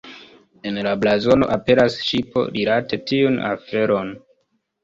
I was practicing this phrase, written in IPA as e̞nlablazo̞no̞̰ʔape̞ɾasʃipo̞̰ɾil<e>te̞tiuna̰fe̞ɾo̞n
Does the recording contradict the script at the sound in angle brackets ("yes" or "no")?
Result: yes